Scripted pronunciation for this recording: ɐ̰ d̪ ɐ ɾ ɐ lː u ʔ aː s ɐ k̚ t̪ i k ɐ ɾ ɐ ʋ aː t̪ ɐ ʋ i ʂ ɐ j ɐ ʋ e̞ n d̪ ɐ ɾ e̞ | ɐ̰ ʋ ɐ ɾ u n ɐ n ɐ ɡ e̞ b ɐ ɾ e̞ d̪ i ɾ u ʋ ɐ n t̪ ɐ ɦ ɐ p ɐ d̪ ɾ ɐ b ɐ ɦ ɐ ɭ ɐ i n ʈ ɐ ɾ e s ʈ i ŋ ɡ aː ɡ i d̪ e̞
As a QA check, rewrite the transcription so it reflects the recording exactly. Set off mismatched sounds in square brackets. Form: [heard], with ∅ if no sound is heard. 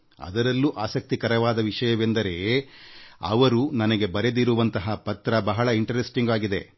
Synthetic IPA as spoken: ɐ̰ d̪ ɐ ɾ ɐ lː u ʔ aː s ɐ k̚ t̪ i k ɐ ɾ ɐ ʋ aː [d̪] ɐ ʋ i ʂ ɐ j ɐ ʋ e̞ n d̪ ɐ ɾ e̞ | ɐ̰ ʋ ɐ ɾ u n ɐ n ɐ ɡ e̞ b ɐ ɾ e̞ d̪ i ɾ u ʋ ɐ n t̪ ɐ ɦ ɐ p ɐ [t̪] ɾ ɐ b ɐ ɦ ɐ ɭ ɐ i [ɳ] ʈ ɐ ɾ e s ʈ i ŋ ɡ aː ɡ i d̪ e̞